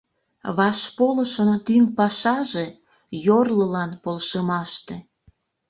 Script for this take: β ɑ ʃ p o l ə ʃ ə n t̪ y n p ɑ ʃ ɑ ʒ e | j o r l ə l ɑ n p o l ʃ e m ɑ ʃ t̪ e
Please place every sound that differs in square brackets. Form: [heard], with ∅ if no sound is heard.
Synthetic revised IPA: β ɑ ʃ p o l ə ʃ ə n t̪ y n p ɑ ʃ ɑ ʒ e | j o r l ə l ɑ n p o l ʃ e m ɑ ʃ t̪ e